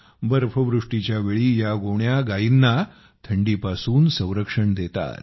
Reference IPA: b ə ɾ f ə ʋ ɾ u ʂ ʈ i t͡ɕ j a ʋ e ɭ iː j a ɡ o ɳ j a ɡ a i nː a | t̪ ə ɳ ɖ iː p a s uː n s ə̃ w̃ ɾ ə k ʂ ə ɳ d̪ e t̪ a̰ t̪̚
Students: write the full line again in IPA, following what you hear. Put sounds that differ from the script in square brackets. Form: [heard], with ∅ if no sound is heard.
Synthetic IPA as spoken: b ə ɾ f ə ʋ ɾ u ʂ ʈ i t͡ɕ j a ʋ e ɭ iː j a ɡ o ɳ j a ɡ a i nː a | [t̪ʰ] ə ɳ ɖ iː p a s uː n s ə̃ w̃ ɾ ə k ʂ ə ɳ d̪ e t̪ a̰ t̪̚